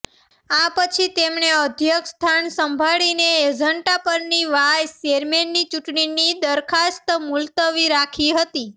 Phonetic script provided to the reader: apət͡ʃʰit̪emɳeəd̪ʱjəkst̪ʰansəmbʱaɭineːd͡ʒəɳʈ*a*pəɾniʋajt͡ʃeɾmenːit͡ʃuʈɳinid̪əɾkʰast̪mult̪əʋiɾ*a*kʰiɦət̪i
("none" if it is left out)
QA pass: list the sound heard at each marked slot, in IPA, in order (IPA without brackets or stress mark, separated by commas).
a, a